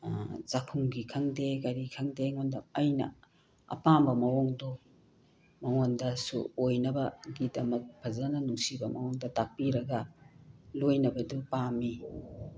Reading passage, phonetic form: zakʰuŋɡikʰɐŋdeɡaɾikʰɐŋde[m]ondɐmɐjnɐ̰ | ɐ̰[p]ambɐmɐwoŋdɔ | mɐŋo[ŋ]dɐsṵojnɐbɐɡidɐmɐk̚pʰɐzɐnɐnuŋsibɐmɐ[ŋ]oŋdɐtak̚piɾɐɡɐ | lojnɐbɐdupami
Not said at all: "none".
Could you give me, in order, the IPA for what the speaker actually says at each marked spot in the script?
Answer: ŋ, p, n, ŋ

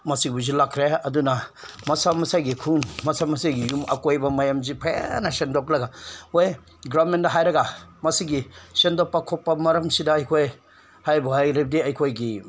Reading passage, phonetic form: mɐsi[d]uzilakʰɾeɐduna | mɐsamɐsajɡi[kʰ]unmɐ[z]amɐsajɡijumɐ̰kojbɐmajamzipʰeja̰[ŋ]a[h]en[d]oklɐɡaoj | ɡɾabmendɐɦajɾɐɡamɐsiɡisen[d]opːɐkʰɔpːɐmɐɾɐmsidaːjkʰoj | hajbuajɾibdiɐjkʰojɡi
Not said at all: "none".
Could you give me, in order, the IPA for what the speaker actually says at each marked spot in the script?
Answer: b, kʰ, s, n, s, d, d

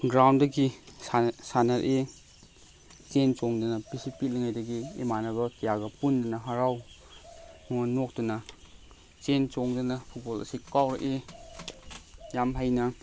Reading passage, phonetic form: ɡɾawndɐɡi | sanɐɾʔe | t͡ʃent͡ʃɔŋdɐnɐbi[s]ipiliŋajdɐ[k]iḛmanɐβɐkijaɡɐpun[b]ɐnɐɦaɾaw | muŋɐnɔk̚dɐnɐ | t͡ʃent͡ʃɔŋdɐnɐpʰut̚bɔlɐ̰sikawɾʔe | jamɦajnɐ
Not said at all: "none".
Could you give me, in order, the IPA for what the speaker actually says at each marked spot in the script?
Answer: s, ɡ, d

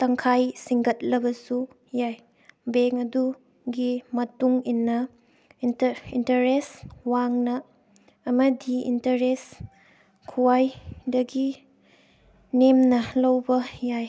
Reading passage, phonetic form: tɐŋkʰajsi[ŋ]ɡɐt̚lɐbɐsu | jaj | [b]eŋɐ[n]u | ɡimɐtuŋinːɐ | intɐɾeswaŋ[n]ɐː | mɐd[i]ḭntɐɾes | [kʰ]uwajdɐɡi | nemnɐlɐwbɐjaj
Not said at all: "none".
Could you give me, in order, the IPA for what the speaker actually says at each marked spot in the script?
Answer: ŋ, b, d, n, i, kʰ

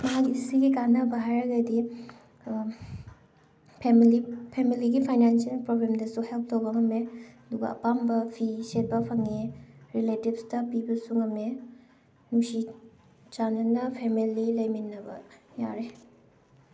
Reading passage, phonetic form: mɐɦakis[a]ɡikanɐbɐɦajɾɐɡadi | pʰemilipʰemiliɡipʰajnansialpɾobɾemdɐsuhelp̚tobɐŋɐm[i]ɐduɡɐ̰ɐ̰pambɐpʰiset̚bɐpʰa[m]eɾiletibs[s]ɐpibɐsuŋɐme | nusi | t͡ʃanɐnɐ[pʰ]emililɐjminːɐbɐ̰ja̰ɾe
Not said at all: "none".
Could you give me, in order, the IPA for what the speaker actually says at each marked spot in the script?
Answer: i, e, ŋ, t, pʰ

